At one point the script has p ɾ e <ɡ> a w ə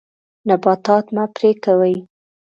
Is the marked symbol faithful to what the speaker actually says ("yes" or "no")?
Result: no